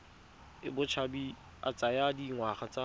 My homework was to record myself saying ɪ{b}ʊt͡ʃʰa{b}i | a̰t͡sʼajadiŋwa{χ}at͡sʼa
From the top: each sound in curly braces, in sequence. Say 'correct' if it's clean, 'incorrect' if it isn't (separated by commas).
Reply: correct, correct, correct